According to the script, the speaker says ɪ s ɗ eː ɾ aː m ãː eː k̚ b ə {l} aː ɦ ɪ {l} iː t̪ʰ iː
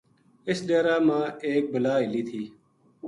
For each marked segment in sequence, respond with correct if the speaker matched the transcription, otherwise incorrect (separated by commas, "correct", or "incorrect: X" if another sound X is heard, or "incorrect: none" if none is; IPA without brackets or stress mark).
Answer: correct, correct